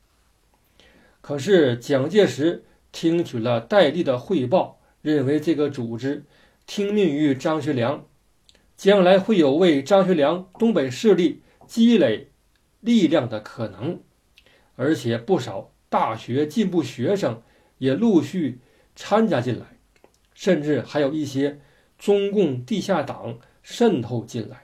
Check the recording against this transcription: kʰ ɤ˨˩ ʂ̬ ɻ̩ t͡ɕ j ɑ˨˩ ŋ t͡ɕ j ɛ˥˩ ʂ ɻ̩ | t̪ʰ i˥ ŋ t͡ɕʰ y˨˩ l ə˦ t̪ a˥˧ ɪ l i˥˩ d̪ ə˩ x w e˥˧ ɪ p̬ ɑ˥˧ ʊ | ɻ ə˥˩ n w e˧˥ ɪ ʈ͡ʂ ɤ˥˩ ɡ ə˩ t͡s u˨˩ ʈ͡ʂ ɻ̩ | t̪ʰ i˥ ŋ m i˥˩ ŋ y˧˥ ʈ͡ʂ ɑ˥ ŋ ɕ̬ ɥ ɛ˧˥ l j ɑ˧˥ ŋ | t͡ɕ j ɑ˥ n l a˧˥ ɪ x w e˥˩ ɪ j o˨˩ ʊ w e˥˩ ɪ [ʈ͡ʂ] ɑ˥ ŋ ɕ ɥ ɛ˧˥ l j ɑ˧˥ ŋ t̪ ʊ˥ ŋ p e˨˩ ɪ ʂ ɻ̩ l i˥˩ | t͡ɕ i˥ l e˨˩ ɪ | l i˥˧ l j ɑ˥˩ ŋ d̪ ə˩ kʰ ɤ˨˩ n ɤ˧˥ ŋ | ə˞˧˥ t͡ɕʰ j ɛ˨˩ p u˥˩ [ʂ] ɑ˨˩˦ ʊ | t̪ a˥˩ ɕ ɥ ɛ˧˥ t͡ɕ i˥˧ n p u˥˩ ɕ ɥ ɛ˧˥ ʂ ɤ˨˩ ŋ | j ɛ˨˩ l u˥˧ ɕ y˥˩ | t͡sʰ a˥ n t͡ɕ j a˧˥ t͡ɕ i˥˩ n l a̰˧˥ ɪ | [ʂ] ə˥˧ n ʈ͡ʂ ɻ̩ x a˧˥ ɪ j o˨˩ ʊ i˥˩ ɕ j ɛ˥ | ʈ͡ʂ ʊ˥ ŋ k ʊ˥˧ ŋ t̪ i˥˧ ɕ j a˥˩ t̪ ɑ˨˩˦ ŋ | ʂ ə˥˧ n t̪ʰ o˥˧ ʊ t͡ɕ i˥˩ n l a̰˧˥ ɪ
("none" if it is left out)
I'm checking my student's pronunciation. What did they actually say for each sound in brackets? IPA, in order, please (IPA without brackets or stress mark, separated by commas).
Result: ʈ͡ʂ, ʂ, ʂ